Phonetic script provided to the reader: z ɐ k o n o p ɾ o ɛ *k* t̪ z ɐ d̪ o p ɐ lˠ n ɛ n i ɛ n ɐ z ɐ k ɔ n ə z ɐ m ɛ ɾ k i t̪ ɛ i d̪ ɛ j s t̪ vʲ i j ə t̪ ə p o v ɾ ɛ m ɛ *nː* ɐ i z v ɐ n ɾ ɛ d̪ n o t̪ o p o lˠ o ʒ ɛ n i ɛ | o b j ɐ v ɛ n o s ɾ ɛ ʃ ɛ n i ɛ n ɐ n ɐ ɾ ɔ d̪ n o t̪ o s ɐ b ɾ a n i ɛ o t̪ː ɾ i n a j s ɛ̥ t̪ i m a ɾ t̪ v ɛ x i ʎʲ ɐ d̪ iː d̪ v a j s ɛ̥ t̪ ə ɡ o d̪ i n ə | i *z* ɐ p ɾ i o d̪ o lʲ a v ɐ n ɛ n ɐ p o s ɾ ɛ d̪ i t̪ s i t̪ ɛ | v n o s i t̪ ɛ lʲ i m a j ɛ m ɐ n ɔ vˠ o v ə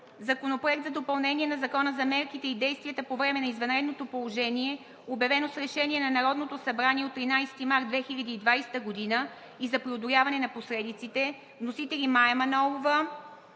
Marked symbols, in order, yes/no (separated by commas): yes, no, yes